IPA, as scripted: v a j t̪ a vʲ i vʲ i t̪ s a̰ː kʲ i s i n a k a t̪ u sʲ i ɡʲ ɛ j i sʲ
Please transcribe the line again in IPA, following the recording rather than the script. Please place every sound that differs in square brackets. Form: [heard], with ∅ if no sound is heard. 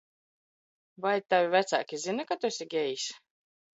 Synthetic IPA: v a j t̪ a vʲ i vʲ [æ] t̪ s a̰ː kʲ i [z] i n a k a t̪ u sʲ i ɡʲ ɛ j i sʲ